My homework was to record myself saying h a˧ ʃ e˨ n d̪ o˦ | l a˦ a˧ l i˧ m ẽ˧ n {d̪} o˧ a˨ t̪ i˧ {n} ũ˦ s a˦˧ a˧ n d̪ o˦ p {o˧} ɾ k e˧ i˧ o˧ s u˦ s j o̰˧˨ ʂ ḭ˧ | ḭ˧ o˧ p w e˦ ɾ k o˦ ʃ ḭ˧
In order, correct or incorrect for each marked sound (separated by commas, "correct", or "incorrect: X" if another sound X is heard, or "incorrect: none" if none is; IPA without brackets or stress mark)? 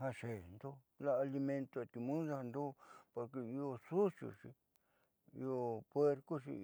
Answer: incorrect: t̪, incorrect: m, correct